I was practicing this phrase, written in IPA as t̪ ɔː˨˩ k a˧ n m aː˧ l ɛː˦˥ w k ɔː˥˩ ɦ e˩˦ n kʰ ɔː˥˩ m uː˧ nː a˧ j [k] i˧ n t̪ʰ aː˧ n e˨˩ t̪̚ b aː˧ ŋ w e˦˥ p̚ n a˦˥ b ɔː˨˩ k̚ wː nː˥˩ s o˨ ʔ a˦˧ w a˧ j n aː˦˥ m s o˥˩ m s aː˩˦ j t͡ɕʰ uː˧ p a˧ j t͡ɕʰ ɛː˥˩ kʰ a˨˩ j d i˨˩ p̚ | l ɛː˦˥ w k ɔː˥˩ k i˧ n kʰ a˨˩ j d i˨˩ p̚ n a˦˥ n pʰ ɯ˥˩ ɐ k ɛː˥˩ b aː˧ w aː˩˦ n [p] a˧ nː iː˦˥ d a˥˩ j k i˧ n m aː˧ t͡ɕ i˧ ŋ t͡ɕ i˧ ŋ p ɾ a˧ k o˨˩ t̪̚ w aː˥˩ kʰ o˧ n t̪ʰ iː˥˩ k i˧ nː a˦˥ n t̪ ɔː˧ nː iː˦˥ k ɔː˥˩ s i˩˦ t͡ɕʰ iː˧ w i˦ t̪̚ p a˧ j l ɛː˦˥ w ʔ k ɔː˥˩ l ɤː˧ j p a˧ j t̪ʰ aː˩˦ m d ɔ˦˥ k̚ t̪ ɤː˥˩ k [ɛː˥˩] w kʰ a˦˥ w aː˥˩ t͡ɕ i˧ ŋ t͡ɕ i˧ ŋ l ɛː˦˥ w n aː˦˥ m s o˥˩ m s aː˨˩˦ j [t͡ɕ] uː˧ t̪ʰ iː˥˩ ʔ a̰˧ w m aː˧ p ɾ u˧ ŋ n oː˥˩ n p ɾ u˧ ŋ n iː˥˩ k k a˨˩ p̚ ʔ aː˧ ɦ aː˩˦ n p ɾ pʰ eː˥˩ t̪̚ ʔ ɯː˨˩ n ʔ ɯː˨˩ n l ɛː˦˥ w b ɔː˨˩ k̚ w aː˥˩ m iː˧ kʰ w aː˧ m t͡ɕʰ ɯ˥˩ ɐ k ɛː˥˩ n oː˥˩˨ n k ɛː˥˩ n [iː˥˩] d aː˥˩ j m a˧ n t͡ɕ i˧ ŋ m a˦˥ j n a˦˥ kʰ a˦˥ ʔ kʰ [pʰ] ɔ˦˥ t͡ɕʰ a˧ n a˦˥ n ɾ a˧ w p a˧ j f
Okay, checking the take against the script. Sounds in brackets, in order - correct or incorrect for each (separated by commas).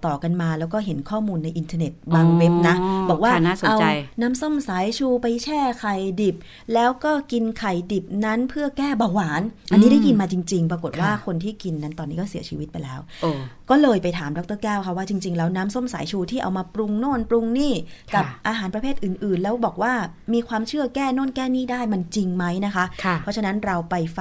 incorrect, incorrect, correct, incorrect, correct, correct